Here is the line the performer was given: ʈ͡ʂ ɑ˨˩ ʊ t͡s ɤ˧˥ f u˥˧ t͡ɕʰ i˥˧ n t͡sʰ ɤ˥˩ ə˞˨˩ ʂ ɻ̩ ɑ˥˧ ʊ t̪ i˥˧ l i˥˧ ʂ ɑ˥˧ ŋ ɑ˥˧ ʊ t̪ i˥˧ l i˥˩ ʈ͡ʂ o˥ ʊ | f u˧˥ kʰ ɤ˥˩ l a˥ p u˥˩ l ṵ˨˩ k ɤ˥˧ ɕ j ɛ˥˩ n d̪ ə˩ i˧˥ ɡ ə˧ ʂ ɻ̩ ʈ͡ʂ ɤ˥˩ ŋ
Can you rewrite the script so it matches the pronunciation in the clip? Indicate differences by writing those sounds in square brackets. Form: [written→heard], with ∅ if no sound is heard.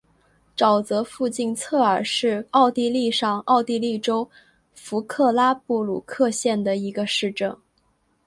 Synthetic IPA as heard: ʈ͡ʂ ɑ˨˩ ʊ t͡s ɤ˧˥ f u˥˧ [t͡ɕʰ→t͡ɕ] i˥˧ n t͡sʰ ɤ˥˩ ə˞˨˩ ʂ ɻ̩ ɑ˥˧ ʊ t̪ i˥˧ l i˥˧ ʂ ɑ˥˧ ŋ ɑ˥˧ ʊ t̪ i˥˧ l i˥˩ ʈ͡ʂ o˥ ʊ | f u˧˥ kʰ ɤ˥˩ l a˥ p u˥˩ l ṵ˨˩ [k→kʰ] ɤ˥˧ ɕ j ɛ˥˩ n d̪ ə˩ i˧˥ ɡ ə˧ ʂ ɻ̩ ʈ͡ʂ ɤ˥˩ ŋ